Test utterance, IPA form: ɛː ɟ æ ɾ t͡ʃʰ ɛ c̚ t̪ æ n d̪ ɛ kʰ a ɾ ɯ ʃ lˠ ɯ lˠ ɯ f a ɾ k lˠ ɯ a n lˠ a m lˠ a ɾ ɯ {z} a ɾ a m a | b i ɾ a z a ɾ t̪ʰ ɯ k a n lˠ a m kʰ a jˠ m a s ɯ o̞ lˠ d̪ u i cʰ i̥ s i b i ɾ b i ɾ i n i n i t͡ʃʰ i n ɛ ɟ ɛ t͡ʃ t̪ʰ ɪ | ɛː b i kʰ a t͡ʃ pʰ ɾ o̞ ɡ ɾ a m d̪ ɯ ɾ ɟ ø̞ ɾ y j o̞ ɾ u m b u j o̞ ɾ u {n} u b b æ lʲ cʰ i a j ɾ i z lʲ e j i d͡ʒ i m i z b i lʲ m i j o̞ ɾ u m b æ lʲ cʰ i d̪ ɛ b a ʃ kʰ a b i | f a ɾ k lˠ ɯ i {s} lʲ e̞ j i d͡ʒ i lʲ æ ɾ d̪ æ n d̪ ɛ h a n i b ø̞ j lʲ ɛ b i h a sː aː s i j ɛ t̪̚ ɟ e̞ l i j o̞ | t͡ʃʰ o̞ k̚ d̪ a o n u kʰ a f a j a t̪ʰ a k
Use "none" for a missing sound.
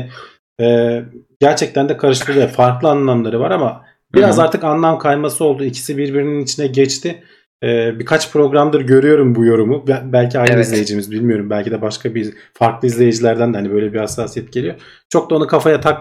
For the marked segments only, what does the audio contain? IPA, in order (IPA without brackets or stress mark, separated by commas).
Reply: v, m, z